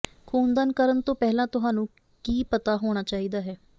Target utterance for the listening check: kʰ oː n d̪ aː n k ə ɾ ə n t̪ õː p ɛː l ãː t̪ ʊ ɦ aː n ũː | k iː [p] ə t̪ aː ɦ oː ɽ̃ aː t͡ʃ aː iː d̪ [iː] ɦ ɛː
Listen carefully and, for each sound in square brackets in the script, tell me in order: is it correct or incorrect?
correct, incorrect

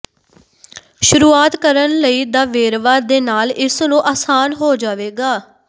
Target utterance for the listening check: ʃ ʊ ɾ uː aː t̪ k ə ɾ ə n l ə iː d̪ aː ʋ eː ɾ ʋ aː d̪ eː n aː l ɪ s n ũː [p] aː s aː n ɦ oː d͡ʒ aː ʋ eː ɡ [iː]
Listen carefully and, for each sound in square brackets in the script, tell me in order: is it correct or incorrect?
incorrect, incorrect

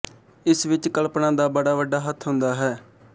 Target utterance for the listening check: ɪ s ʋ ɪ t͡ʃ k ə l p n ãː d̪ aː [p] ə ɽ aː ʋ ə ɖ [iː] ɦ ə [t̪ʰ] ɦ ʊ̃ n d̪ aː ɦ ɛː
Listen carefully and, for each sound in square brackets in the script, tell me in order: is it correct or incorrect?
incorrect, incorrect, correct

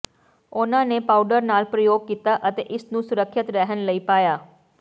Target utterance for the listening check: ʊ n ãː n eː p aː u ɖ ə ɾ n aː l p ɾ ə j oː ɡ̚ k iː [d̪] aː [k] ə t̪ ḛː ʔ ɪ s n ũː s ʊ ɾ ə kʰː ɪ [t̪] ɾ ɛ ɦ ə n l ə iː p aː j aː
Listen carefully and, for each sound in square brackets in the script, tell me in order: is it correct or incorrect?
incorrect, incorrect, correct

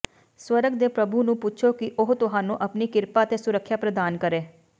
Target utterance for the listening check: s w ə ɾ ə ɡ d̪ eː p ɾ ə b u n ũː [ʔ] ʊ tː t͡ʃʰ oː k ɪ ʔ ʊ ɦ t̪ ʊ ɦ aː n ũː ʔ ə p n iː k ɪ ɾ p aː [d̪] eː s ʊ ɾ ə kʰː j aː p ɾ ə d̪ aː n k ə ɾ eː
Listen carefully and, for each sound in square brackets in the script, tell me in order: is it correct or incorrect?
incorrect, incorrect

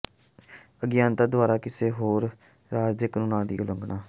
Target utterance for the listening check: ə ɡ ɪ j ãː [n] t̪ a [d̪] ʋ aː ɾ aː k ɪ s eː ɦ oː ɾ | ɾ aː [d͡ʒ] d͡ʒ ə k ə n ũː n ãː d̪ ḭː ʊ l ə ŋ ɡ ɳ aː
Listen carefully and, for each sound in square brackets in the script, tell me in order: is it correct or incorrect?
correct, correct, correct

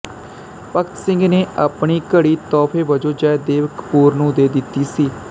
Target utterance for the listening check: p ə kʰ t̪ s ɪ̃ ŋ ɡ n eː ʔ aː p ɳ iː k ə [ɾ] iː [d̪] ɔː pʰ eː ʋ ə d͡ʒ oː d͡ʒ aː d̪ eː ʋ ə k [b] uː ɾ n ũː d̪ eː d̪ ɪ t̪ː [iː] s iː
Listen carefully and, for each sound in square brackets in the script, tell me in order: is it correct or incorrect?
incorrect, incorrect, incorrect, correct

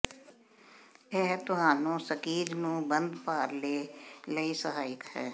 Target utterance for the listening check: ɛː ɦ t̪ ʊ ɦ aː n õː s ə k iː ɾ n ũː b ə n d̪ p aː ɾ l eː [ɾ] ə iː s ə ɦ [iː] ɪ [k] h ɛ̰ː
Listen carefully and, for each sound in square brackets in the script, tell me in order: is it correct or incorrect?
incorrect, incorrect, correct

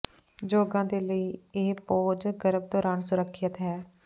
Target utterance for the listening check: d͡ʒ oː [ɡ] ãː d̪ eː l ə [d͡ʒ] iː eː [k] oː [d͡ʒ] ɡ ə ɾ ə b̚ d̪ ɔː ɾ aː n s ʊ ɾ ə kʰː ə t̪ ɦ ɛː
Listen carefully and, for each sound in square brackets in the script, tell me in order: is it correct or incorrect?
correct, incorrect, incorrect, correct

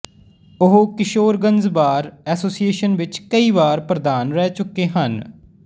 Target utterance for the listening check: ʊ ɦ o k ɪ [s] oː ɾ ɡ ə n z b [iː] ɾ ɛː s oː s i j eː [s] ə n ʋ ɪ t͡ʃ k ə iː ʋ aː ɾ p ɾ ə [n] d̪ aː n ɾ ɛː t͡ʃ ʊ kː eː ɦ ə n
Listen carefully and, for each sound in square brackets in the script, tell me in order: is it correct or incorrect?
incorrect, incorrect, incorrect, incorrect

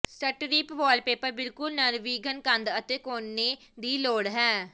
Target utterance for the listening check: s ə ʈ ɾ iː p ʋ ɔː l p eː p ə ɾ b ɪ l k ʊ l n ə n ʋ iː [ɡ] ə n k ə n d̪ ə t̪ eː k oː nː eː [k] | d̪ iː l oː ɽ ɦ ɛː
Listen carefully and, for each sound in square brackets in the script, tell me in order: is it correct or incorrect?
correct, incorrect

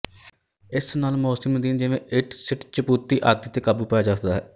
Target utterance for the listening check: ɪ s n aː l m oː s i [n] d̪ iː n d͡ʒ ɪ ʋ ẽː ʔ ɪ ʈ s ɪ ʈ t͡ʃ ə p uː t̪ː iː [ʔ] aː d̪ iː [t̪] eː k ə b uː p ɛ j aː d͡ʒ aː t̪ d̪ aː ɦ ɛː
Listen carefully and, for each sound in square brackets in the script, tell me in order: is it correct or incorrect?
incorrect, correct, correct

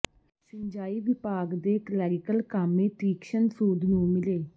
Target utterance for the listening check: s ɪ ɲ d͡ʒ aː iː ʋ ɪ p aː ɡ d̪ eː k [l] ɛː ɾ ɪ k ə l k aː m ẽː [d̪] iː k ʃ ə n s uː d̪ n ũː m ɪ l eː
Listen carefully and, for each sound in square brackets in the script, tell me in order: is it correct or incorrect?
correct, incorrect

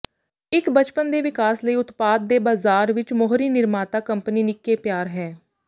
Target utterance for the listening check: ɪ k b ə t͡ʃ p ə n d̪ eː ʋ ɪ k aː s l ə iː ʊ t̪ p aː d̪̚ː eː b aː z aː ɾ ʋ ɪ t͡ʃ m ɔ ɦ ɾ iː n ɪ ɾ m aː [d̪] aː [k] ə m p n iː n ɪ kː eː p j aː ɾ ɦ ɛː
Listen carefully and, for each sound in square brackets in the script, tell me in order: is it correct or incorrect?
incorrect, correct

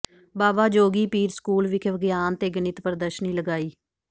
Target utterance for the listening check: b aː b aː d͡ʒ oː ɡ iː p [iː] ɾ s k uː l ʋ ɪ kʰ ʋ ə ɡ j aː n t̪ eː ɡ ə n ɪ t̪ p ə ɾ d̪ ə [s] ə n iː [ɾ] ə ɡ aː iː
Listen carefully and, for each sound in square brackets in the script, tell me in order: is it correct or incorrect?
correct, incorrect, incorrect

